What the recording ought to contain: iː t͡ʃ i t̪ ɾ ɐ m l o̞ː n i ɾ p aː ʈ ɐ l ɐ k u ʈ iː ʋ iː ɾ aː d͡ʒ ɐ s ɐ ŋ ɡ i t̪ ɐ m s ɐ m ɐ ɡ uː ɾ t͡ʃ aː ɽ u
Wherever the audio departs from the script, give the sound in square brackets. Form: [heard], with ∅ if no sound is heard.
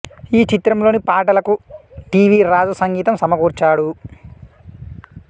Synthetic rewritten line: iː t͡ʃ i t̪ ɾ ɐ m l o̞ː n i [∅] p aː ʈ ɐ l ɐ k u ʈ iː ʋ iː ɾ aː d͡ʒ ɐ s ɐ ŋ ɡ [iː] t̪ ɐ m s ɐ m ɐ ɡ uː ɾ t͡ʃ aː ɽ u

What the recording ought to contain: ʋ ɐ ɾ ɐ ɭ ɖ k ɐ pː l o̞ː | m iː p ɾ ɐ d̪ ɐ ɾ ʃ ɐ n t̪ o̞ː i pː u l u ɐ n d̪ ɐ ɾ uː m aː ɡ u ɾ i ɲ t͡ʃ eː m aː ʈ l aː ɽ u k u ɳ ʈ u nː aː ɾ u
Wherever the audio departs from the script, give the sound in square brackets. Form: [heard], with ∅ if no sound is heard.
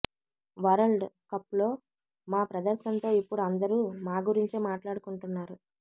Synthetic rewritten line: ʋ ɐ ɾ ɐ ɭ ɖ k ɐ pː l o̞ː | m [aː] p ɾ ɐ d̪ ɐ ɾ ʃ ɐ n t̪ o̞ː i pː u [ɽ] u ɐ n d̪ ɐ ɾ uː m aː ɡ u ɾ i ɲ t͡ʃ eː m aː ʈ l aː ɽ u k u ɳ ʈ u nː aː ɾ u

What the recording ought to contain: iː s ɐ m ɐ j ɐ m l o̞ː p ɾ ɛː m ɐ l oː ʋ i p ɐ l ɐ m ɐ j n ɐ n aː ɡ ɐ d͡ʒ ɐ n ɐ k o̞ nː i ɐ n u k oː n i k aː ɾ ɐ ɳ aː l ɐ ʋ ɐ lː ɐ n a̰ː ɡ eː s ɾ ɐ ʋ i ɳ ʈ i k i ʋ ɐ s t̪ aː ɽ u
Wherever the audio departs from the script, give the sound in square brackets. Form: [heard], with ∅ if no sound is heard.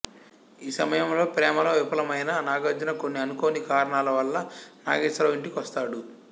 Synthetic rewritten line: iː s ɐ m ɐ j ɐ m l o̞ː p ɾ ɛː m ɐ l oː ʋ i p ɐ l ɐ m ɐ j n ɐ n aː ɡ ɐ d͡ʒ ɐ n ɐ k o̞ nː i ɐ n u k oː n i k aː ɾ ɐ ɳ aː l ɐ ʋ ɐ lː ɐ n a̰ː ɡ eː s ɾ ɐ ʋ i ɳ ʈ i k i ʋ ɐ s t̪ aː ɽ u

